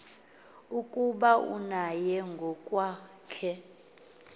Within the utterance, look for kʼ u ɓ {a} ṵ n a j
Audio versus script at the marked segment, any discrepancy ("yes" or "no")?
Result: no